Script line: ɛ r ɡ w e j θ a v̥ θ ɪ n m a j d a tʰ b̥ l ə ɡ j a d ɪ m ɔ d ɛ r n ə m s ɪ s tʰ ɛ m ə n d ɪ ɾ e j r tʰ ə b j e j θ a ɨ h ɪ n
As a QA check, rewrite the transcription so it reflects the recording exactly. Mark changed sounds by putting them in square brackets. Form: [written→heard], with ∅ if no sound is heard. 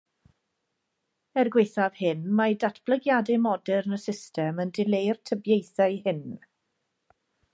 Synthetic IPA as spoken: ɛ r ɡ w e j θ a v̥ [θ→h] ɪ n m a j d a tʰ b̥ l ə ɡ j a d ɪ m ɔ d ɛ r n ə [m→∅] s ɪ s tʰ ɛ m ə n d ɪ [ɾ→l] e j r tʰ ə b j e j θ a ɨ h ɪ n